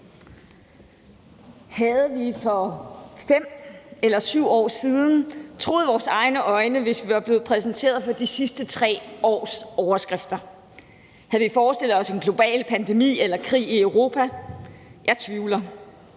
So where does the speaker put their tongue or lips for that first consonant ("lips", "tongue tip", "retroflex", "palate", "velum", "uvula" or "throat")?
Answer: throat